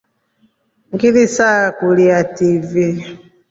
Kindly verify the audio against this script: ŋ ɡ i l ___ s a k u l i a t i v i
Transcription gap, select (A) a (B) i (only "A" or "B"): B